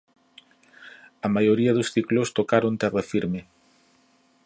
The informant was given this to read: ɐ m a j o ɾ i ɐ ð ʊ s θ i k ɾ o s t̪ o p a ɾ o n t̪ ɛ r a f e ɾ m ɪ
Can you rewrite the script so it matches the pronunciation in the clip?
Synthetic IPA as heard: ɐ m a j o ɾ i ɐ ð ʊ s θ i k l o s t̪ o k a ɾ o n t̪ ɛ r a f i ɾ m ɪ